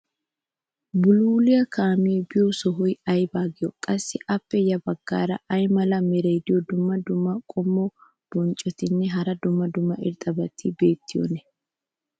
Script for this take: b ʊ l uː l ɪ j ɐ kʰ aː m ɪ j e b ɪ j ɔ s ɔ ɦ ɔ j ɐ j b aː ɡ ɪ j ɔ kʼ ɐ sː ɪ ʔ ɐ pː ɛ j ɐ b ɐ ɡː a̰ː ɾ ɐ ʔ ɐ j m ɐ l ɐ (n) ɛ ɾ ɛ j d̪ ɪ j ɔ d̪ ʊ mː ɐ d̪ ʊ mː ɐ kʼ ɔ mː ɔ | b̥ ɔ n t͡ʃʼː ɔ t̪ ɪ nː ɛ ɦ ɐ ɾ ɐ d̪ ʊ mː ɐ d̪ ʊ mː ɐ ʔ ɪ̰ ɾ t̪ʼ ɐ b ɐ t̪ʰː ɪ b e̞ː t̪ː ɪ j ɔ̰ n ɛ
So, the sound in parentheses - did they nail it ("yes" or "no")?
no